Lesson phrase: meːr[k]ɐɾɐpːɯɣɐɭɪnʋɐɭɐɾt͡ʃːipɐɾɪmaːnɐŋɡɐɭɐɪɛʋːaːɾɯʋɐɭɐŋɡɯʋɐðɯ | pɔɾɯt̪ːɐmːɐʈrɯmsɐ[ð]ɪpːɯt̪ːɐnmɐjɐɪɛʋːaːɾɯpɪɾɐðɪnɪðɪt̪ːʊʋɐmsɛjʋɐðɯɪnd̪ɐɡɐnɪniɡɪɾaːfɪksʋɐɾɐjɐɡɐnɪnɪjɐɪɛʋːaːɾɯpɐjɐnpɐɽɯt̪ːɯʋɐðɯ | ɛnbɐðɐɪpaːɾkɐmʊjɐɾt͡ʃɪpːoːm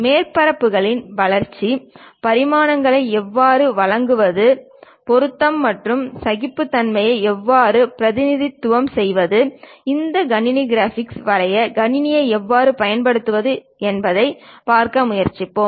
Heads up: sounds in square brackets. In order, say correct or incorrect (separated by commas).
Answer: incorrect, incorrect